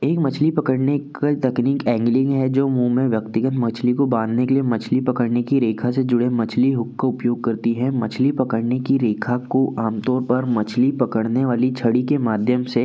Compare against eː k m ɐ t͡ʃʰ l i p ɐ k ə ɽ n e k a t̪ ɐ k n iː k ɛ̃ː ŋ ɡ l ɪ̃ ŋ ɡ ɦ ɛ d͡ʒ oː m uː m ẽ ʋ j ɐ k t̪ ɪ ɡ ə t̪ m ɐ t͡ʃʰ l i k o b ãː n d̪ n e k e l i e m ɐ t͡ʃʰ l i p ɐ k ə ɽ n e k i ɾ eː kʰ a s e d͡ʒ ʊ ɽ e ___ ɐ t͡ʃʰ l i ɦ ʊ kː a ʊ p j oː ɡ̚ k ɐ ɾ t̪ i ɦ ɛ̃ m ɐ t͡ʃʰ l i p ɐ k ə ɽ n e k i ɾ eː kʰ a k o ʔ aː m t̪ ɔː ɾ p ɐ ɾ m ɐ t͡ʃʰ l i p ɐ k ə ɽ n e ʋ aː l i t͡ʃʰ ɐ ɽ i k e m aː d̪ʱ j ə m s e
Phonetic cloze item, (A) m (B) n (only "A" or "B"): A